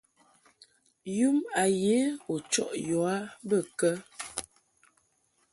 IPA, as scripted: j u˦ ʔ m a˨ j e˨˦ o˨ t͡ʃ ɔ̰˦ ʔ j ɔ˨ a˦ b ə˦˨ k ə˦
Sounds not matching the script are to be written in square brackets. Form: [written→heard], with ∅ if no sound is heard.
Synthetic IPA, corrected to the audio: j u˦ [ʔ→∅] m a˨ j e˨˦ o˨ t͡ʃ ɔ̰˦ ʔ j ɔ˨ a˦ b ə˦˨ k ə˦